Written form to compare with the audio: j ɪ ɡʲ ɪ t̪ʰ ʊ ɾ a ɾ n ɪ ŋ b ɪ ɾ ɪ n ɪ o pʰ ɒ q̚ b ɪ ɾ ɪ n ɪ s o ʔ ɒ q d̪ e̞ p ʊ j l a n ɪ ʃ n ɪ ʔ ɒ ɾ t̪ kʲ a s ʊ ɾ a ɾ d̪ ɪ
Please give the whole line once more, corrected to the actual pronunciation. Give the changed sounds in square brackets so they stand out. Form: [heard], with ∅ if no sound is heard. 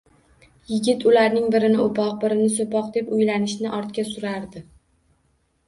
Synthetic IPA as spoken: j ɪ ɡʲ ɪ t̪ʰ ʊ [l] a ɾ n ɪ ŋ b ɪ ɾ ɪ n ɪ o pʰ ɒ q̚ b ɪ ɾ ɪ n ɪ s o [p] ɒ q d̪ e̞ p ʊ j l a n ɪ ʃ n ɪ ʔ ɒ ɾ t̪ kʲ a s ʊ ɾ a ɾ d̪ ɪ

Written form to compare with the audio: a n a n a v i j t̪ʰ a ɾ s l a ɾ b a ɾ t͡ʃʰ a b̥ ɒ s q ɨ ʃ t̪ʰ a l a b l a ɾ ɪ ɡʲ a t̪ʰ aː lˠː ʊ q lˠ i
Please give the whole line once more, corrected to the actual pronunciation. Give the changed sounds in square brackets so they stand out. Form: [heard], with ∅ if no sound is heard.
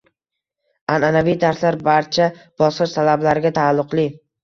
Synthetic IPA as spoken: a n a n a v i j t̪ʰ a ɾ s l a ɾ b a ɾ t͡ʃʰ a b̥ ɒ s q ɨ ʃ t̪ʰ a l a b l a ɾ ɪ ɡʲ a t̪ʰ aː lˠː ʊ q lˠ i

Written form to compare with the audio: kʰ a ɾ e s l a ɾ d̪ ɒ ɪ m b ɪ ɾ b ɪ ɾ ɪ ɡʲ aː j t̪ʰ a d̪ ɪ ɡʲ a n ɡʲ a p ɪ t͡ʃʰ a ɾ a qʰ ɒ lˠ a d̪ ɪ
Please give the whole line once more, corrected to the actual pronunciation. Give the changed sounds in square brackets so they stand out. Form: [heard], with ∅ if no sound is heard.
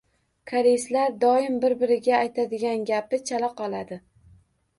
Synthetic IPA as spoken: kʰ a ɾ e s l a ɾ d̪ ɒ ɪ m b ɪ ɾ b ɪ ɾ ɪ ɡʲ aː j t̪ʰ a d̪ ɪ ɡʲ a n ɡʲ a p ɪ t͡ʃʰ a [l] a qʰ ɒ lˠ a d̪ ɪ

